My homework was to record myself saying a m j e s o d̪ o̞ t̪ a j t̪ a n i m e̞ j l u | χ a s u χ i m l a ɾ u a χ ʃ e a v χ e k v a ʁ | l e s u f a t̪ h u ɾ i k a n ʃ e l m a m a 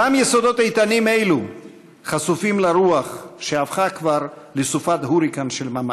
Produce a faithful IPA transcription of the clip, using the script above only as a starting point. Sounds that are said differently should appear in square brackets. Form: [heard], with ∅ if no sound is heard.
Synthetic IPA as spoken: a m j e s o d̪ o̞ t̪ a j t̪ a n i m e̞ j l u | χ a s u [f] i m l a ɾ u a χ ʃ e a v χ [a] k v a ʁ | l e s u f a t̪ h u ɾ i k a n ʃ e l m a m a